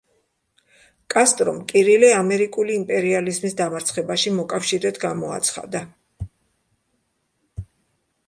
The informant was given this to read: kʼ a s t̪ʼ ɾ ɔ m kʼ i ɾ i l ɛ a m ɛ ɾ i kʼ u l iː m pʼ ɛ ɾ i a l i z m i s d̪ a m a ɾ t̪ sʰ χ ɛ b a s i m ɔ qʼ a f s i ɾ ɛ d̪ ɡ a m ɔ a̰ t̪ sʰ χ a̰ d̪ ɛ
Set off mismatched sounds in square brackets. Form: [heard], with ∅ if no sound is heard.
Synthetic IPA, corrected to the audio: kʼ a s t̪ʼ ɾ ɔ m kʼ i ɾ i l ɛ a m ɛ ɾ i kʼ u l iː m pʼ ɛ ɾ i a l i z m i s d̪ a m a ɾ t̪ sʰ χ ɛ b a [ʃ] i m ɔ [kʼ] a f [ʃ] i ɾ ɛ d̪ ɡ a m ɔ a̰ t̪ sʰ χ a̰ d̪ [a]